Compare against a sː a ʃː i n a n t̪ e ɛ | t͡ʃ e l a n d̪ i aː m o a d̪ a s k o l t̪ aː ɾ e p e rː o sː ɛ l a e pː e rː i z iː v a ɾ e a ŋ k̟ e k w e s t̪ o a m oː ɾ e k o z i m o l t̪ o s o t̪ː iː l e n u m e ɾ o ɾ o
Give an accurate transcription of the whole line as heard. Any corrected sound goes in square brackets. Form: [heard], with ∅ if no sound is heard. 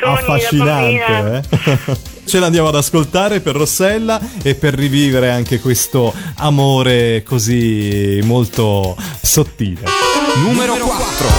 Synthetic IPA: a [fː] a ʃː i n a n t̪ e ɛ | t͡ʃ e l a n d̪ [j] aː m o a d̪ a s k o l t̪ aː ɾ e p e rː o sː ɛ [lː] a e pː e rː i [v] iː v [e] ɾ e a ŋ k̟ e k w e s t̪ o a m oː ɾ e k o z i m o l t̪ o s o t̪ː iː l e n u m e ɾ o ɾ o